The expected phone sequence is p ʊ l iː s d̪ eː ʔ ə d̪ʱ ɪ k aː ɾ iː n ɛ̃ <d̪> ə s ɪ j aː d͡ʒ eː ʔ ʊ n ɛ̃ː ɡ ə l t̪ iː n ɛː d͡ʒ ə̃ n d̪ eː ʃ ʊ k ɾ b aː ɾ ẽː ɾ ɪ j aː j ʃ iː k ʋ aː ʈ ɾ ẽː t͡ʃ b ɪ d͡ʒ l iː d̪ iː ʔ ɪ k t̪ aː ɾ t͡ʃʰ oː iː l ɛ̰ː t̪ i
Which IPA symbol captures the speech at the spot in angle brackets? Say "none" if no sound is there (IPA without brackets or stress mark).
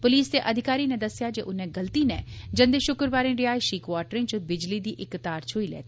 d̪